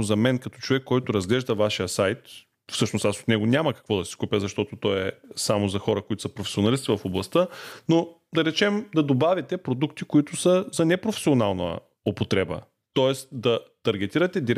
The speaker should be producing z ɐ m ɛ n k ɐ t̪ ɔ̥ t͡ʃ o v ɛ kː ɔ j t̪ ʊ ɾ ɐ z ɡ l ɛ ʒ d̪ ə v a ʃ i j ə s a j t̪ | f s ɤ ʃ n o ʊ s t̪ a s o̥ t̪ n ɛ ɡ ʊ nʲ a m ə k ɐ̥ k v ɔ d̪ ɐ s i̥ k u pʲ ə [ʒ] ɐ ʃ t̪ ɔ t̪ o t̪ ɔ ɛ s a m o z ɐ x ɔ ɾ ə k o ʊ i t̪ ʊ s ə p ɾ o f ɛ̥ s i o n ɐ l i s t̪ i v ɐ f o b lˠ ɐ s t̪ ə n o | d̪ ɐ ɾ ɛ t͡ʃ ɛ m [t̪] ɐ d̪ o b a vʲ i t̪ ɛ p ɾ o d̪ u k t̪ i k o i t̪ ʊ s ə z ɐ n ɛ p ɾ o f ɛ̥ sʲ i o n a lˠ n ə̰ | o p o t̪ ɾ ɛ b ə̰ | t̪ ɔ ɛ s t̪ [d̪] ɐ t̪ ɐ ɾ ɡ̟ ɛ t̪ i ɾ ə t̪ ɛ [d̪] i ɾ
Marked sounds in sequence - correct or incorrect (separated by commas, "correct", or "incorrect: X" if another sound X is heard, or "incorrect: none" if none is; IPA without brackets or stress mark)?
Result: incorrect: z, incorrect: d̪, correct, correct